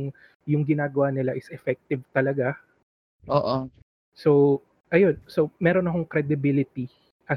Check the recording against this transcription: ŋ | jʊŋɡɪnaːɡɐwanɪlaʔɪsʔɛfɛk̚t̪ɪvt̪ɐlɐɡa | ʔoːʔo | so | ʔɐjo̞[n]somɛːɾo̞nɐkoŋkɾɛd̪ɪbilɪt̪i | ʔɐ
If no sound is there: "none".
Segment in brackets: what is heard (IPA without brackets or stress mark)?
n